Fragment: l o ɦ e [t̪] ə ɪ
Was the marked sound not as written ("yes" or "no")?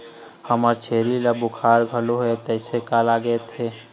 no